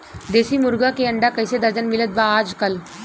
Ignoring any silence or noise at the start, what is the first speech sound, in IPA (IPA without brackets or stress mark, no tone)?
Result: d̪